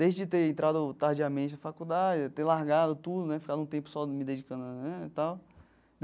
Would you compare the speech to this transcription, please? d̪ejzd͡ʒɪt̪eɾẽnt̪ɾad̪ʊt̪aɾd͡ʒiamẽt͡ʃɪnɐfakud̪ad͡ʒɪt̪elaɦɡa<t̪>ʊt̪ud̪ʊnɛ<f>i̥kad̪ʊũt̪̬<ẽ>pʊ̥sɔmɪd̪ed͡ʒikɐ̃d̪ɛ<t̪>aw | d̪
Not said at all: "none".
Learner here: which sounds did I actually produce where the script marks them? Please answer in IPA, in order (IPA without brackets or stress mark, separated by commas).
d̪, f, ẽ, t̪